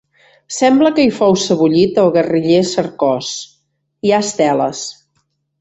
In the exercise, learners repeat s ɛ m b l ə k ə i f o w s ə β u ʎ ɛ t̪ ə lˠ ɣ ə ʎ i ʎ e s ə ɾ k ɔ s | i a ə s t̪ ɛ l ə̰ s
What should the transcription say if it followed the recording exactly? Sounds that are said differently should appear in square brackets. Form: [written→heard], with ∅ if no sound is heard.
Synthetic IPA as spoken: s ɛ m b l ə k ə i f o w s ə β u ʎ [ɛ→i] t̪ ə lˠ ɣ ə [ʎ→r] i ʎ e s ə ɾ k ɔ s | i a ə s t̪ ɛ l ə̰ s